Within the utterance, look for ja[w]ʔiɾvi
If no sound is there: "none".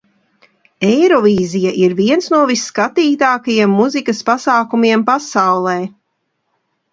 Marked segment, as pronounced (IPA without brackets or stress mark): none